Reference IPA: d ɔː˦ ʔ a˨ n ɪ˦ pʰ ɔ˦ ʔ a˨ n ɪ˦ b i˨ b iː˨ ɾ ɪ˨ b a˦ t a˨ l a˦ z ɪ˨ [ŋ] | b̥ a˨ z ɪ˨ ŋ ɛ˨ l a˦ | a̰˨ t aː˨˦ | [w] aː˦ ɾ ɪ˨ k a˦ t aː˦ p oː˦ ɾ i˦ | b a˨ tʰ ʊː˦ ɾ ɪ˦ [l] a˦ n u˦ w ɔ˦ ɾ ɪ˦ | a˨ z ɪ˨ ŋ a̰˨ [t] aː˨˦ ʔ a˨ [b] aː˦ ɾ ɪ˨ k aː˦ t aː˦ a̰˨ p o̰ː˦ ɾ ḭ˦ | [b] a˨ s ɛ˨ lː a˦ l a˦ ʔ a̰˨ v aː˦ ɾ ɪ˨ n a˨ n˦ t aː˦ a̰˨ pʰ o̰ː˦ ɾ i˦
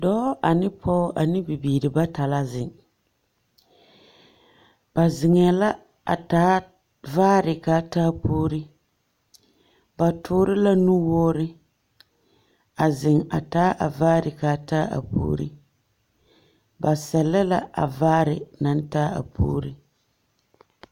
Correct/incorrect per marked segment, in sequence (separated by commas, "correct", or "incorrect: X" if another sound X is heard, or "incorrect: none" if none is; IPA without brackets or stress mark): correct, incorrect: v, correct, correct, incorrect: v, correct